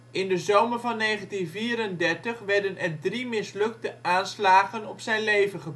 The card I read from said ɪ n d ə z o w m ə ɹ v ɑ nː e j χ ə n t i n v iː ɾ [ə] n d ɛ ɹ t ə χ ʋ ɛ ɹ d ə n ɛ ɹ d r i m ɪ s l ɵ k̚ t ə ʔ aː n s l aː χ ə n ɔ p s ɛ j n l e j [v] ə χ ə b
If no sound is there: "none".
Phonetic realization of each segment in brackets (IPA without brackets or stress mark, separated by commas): ə, v